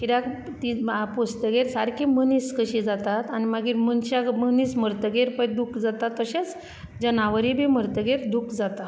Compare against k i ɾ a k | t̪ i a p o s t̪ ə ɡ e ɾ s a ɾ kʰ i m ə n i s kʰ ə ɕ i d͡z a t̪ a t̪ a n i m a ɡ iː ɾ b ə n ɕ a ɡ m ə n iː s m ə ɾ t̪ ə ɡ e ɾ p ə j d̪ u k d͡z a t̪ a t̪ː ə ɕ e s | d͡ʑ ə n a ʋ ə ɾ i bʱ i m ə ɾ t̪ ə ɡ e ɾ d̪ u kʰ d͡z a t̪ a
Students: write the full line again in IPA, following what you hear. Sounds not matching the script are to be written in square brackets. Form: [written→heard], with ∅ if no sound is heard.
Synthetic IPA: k i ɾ a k | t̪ i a p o s t̪ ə ɡ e ɾ s a ɾ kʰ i m ə n i s [kʰ→k] ə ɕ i d͡z a t̪ a t̪ a n i m a ɡ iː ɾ [b→m] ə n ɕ a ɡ m ə n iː s m ə ɾ t̪ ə ɡ e ɾ p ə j d̪ u k d͡z a t̪ a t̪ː ə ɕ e [s→t͡s] | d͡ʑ ə n a ʋ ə ɾ i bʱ i m ə ɾ t̪ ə ɡ e ɾ d̪ u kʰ d͡z a t̪ a